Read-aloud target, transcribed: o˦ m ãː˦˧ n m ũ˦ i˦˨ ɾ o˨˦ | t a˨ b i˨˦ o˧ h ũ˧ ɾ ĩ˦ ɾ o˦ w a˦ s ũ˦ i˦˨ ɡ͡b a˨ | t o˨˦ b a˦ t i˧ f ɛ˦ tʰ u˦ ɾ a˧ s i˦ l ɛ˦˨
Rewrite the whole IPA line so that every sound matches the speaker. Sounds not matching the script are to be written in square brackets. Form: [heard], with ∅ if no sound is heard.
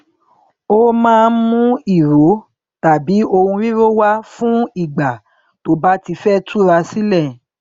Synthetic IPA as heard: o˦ m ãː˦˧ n m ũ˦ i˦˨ ɾ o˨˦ | t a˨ b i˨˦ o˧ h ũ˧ ɾ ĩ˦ ɾ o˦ w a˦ [f] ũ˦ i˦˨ ɡ͡b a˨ | t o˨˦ b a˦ t i˧ f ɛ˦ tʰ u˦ ɾ a˧ s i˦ l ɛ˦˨